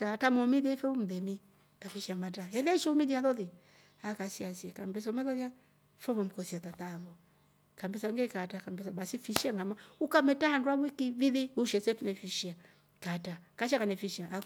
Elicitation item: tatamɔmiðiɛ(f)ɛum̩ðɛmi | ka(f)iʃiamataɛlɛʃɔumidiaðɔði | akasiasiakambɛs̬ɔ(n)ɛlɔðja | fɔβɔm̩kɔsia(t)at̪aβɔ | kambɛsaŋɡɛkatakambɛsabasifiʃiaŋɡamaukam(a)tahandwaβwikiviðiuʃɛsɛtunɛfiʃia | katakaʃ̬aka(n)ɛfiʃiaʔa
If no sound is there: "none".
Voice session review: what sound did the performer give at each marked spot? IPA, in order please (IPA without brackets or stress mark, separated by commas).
f, f, m, t, ɛ, n